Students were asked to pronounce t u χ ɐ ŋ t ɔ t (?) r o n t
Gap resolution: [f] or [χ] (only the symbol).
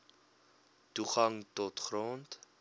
χ